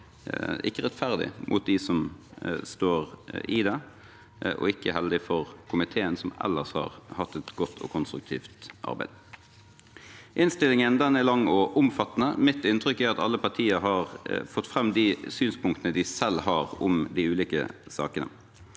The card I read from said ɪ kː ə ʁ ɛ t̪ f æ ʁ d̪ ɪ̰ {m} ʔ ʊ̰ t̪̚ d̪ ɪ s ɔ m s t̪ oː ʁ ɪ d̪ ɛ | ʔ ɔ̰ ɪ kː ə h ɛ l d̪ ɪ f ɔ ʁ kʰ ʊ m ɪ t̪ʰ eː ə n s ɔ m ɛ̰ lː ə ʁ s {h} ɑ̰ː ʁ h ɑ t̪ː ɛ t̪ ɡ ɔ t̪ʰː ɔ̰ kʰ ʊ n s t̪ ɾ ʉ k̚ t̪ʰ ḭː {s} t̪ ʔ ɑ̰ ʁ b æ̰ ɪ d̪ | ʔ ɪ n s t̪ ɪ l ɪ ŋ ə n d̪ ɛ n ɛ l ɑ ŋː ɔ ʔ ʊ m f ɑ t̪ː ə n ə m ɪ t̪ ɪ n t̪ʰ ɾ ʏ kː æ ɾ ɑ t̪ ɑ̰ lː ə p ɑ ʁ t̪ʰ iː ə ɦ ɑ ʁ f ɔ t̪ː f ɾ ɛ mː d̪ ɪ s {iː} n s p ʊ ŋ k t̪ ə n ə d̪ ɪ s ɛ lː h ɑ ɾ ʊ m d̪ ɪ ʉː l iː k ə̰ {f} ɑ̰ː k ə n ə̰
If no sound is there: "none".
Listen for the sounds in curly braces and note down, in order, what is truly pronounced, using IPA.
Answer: m, h, f, yː, s

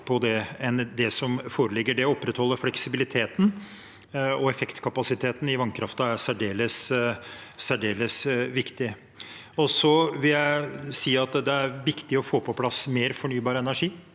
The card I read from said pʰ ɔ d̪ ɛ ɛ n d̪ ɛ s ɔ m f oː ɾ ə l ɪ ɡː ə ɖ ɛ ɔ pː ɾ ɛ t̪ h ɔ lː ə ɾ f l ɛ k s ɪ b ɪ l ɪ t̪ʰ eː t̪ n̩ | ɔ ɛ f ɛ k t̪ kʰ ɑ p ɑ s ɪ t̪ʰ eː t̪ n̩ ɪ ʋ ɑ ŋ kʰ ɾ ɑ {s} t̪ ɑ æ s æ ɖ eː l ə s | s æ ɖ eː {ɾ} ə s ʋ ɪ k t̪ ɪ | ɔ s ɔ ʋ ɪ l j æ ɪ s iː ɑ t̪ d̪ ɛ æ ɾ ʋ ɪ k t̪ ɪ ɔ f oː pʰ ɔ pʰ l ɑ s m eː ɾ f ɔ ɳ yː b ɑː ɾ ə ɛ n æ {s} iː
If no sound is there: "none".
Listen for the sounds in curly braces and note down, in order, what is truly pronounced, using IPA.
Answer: f, l, ʂ

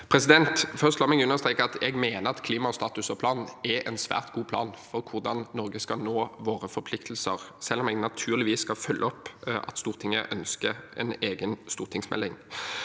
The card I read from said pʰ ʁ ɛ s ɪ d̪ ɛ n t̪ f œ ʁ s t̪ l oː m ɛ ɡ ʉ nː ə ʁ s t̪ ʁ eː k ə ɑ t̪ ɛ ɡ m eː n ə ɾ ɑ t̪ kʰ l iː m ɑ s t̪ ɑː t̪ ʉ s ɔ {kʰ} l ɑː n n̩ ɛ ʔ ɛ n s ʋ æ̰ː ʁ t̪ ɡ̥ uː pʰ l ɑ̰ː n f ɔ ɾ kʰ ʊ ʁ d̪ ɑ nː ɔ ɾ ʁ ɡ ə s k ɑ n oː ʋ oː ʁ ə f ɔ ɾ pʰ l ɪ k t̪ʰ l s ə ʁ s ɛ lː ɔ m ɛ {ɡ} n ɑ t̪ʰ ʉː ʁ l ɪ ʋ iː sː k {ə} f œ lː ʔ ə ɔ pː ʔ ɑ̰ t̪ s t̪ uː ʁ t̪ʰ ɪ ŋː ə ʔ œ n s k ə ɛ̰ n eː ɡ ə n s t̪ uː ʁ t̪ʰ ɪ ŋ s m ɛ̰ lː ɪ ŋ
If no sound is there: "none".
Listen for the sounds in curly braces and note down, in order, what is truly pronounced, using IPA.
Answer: pʰ, ɡ, ɑ

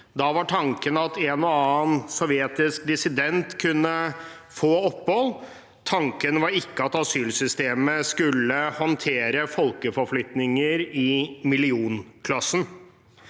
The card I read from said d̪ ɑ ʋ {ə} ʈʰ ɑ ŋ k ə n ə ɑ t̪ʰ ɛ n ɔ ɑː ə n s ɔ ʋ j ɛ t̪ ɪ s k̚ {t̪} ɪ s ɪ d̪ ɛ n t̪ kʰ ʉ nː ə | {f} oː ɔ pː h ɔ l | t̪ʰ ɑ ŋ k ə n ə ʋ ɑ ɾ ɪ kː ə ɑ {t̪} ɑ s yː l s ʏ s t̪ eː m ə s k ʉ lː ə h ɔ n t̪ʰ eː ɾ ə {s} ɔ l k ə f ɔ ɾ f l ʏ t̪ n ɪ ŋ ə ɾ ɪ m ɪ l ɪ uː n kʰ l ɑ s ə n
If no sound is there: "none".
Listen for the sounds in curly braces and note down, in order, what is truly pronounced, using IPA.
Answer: ɑ, d̪, f, t̪, f

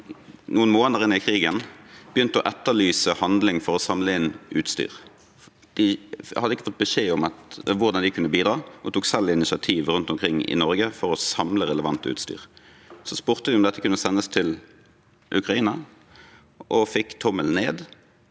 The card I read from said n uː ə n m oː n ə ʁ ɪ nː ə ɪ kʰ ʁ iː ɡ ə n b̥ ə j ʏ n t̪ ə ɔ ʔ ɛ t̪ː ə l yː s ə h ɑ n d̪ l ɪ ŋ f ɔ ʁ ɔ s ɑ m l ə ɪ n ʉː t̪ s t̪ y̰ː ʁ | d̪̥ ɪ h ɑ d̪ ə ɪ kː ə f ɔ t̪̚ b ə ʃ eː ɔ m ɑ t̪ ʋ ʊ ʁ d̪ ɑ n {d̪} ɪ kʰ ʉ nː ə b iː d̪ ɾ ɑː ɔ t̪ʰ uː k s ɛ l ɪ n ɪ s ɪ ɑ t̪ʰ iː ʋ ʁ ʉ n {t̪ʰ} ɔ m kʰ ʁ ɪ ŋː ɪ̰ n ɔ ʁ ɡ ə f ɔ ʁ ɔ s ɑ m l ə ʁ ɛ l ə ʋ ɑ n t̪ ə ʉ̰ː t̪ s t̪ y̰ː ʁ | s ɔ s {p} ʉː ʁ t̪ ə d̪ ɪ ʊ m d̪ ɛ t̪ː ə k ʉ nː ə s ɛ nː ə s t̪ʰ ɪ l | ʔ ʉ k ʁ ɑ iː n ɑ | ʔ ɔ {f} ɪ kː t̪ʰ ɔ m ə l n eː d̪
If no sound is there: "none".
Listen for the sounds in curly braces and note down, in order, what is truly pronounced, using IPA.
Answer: d̪, t̪, p, f

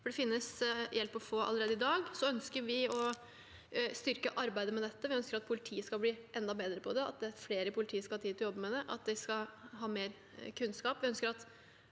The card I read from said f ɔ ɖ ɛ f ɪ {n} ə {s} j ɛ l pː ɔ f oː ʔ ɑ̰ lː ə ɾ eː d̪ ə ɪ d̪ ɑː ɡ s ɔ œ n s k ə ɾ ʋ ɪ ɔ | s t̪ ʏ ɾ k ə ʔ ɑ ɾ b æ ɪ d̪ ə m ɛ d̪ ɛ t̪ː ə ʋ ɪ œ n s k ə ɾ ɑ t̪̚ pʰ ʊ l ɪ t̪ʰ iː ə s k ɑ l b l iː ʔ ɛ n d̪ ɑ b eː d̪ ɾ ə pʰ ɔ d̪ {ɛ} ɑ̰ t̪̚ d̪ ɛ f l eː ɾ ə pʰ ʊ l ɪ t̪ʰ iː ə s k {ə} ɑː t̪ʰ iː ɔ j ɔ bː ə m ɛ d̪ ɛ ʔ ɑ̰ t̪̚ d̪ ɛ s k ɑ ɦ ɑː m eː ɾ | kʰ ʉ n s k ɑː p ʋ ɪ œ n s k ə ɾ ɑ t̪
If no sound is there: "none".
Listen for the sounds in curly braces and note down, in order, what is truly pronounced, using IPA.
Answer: nː, s, ɛ, ɑ

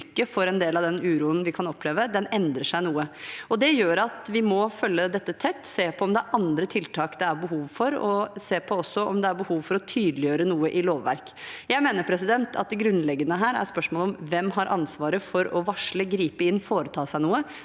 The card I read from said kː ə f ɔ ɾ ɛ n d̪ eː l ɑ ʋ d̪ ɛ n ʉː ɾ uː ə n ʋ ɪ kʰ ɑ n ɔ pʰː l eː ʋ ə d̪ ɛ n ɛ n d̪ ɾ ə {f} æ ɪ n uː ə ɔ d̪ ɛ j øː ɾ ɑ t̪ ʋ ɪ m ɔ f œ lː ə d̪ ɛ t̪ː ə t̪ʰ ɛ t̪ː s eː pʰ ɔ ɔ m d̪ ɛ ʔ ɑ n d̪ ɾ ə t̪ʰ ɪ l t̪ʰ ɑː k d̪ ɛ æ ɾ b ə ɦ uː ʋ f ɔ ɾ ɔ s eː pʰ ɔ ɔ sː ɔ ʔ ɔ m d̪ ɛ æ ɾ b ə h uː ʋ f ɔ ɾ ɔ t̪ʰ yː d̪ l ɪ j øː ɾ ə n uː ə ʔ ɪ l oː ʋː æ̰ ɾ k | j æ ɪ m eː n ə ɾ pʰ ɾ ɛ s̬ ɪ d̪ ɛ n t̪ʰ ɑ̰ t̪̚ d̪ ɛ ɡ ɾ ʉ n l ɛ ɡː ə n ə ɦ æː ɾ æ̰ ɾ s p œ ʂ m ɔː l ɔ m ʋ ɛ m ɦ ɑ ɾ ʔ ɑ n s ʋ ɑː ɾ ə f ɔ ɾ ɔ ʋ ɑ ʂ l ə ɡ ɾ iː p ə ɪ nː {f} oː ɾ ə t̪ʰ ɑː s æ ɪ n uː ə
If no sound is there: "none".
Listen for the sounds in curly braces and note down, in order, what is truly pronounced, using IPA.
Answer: ʂ, f

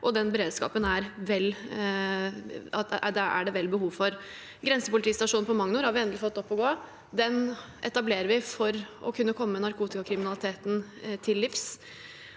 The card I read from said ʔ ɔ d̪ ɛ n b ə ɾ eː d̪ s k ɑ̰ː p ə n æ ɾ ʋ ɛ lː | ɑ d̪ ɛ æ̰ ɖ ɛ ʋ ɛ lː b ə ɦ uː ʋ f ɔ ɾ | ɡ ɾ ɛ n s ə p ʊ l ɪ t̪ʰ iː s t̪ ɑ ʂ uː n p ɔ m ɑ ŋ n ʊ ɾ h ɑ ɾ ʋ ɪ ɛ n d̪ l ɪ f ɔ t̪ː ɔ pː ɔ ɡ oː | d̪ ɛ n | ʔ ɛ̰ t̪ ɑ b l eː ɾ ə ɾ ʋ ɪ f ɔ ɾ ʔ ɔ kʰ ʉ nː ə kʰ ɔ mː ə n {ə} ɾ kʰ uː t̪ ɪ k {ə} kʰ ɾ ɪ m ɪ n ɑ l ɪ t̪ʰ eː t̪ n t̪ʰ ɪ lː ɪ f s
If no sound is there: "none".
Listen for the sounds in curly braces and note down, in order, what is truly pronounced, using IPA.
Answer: ɑ, ɑ

